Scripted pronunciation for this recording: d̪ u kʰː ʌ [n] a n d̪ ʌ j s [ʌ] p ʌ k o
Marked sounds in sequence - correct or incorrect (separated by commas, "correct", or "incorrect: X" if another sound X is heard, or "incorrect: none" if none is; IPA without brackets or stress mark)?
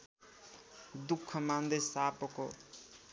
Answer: incorrect: m, incorrect: a